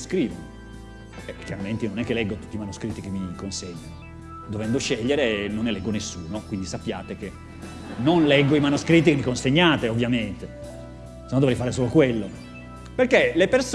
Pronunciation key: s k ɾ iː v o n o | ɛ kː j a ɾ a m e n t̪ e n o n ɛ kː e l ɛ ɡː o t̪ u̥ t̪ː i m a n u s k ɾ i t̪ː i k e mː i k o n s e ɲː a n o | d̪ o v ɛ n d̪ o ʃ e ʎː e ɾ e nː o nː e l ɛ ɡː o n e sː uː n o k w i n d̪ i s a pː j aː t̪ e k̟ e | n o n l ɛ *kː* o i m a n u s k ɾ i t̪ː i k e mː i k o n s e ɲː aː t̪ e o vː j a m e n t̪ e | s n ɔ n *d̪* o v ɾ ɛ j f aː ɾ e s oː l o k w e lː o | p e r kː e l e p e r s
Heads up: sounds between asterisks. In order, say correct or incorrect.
incorrect, correct

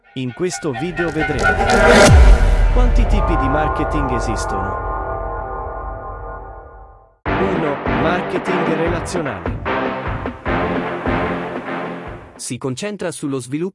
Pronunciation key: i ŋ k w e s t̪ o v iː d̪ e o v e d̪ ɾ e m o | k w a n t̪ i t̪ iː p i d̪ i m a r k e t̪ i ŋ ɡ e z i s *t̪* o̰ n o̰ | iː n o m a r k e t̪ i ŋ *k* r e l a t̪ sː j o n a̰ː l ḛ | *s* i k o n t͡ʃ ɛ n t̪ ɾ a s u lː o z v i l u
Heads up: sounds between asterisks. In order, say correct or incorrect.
correct, incorrect, correct

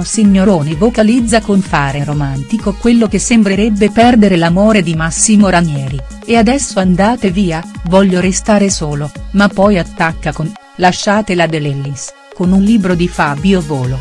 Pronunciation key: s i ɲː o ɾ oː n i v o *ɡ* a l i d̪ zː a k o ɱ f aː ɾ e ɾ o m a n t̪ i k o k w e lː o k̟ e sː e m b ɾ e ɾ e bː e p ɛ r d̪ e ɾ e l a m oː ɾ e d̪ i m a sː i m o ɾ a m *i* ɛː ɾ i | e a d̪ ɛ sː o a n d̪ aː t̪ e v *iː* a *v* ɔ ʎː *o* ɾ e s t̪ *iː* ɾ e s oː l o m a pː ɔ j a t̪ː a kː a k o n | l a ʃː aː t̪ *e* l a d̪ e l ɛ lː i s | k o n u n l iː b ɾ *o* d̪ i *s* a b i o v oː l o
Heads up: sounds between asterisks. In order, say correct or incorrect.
incorrect, incorrect, correct, correct, correct, incorrect, correct, correct, incorrect

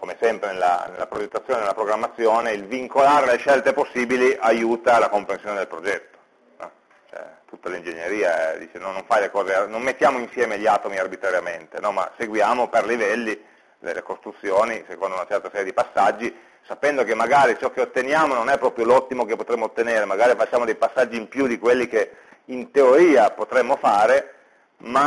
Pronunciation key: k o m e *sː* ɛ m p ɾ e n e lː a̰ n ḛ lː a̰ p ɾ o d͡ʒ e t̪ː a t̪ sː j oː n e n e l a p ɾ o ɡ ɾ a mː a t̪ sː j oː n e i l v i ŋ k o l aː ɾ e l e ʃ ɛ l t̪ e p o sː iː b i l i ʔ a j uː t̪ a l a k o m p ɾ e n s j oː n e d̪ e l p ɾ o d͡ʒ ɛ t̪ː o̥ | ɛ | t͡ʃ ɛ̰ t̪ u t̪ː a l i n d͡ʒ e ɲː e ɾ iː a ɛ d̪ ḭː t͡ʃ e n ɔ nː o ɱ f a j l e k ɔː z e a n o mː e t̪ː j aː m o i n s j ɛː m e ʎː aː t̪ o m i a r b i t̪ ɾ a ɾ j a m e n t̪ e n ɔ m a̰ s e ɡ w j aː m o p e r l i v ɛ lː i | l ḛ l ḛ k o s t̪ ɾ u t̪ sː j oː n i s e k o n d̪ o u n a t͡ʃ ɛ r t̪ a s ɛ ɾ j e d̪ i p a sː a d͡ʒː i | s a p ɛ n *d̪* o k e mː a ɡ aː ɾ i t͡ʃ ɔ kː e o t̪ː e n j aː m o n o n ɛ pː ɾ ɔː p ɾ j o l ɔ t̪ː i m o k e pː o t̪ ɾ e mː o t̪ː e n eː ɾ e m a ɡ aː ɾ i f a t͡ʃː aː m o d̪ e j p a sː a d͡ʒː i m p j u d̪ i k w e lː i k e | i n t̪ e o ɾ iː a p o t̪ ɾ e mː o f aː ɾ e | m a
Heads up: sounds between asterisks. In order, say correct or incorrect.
incorrect, correct

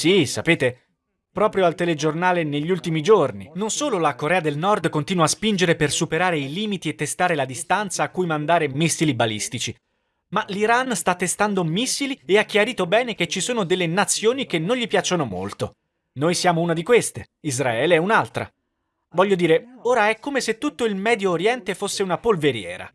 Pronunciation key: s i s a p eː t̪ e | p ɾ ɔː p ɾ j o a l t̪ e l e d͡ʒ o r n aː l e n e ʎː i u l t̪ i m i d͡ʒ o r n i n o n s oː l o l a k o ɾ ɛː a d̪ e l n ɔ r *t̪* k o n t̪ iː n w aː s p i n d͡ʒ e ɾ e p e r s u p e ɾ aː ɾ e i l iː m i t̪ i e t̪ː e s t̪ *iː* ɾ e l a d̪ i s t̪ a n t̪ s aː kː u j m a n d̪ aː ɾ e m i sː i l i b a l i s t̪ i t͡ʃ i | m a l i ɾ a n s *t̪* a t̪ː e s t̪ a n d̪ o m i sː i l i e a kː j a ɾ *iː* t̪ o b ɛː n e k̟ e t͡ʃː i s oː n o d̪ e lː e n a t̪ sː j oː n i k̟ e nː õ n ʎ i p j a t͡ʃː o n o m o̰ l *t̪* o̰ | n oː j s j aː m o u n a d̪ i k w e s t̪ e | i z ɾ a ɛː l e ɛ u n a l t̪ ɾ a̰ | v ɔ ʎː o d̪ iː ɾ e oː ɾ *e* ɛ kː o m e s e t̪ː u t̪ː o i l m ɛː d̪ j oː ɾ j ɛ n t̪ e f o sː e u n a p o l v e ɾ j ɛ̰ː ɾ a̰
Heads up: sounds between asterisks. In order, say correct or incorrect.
incorrect, incorrect, correct, correct, correct, incorrect

